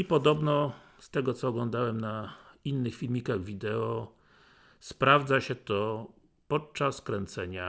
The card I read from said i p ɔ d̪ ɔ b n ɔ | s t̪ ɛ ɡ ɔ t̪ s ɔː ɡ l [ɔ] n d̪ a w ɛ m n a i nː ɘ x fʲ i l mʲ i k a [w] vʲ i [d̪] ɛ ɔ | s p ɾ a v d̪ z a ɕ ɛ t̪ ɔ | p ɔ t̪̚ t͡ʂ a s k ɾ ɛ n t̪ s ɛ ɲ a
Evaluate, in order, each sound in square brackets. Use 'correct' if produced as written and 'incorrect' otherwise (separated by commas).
correct, incorrect, correct